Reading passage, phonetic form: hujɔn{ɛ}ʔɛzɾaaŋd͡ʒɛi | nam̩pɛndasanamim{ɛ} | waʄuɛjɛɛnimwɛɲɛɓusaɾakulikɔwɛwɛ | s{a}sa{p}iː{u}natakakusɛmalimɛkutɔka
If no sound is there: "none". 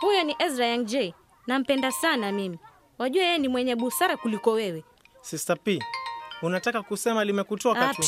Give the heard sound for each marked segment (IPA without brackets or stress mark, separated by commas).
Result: i, i, i, p, u